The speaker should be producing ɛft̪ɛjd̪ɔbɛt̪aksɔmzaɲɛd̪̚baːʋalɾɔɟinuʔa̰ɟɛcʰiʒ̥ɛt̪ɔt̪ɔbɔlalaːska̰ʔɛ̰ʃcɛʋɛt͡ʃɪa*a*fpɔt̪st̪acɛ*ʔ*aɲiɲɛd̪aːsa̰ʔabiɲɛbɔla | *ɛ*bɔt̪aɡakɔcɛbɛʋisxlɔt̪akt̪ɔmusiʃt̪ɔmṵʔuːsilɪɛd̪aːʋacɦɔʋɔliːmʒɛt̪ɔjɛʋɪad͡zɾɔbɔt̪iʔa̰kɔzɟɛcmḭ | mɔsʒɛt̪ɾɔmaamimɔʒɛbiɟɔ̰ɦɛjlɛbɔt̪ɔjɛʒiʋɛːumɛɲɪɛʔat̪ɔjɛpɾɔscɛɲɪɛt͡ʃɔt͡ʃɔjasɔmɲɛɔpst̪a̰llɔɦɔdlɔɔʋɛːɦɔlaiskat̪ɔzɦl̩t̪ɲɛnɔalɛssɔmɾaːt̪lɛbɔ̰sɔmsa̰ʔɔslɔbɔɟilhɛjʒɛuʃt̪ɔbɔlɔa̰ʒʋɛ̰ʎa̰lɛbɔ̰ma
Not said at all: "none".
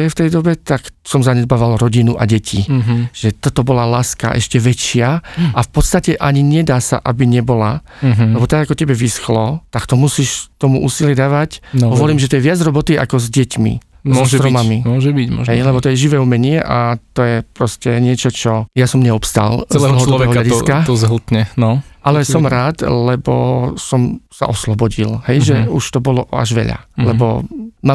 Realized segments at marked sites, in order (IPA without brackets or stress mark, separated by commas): a, ʔ, ɛ